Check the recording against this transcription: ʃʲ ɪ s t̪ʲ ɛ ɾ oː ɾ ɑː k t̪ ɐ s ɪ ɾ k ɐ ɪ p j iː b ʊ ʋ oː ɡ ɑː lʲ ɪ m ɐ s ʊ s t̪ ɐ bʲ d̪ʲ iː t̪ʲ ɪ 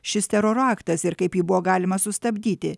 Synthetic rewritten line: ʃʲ ɪ s t̪ʲ ɛ ɾ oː ɾ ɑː k t̪ ɐ s ɪ ɾ k ɐ ɪ p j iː b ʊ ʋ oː ɡ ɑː lʲ ɪ m ɐ s ʊ s t̪ ɐ bʲ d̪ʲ iː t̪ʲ ɪ

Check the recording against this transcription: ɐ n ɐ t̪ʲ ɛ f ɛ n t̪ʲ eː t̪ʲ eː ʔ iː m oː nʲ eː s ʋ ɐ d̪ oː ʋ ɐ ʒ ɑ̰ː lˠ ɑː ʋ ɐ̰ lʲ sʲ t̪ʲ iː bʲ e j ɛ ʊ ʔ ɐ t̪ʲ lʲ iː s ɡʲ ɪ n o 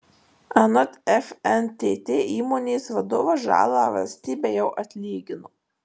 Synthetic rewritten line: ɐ n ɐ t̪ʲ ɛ f ɛ n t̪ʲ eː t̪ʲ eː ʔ iː m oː nʲ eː s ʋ ɐ d̪ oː ʋ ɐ ʒ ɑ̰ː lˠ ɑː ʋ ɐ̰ lʲ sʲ t̪ʲ iː bʲ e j ɛ ʊ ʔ ɐ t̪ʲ lʲ iː ɡʲ ɪ n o

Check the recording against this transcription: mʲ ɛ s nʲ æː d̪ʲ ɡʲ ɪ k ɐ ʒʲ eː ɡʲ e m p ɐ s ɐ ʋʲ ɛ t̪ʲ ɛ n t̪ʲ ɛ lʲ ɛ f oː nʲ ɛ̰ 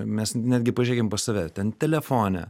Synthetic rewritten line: mʲ ɛ s nʲ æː d̪ʲ ɡʲ ɪ p ɐ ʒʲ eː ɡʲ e m p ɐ s ɐ ʋʲ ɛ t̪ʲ ɛ n t̪ʲ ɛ lʲ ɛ f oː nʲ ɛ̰

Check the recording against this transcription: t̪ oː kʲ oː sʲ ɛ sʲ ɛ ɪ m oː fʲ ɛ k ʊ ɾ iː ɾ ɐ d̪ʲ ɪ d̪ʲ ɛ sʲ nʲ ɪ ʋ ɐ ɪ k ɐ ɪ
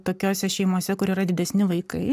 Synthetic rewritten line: t̪ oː kʲ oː sʲ ɛ ʃʲ ɛ ɪ m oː sʲ ɛ k ʊ ɾ iː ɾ ɐ d̪ʲ ɪ d̪ʲ ɛ sʲ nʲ ɪ ʋ ɐ ɪ k ɐ ɪ

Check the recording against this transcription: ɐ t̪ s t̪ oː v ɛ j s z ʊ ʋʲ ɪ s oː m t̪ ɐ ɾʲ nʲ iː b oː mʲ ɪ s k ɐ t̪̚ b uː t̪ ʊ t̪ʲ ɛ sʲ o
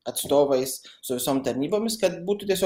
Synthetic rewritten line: ɐ t̪ s t̪ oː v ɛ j s s ʊ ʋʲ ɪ s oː m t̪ ɐ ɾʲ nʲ iː b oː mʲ ɪ s k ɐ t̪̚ b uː t̪ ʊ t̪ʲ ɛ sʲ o

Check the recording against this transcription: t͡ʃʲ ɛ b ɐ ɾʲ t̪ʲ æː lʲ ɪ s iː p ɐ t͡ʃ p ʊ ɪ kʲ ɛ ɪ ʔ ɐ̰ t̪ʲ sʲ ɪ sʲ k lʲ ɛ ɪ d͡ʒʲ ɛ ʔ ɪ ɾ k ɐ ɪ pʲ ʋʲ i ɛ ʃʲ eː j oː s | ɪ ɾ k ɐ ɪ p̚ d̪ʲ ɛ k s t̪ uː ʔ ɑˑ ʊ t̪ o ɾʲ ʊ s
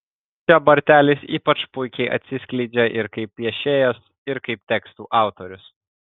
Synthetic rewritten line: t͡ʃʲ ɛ b ɐ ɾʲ t̪ʲ æː lʲ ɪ s iː p ɐ t͡ʃ p ʊ ɪ kʲ ɛ ɪ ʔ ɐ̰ t̪ʲ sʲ ɪ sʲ k lʲ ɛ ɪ d͡ʒʲ ɛ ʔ ɪ ɾ k ɐ ɪ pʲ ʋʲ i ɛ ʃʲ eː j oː s | ɪ ɾ k ɐ ɪ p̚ t̪ʲ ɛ k s t̪ uː ʔ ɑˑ ʊ t̪ o ɾʲ ʊ s

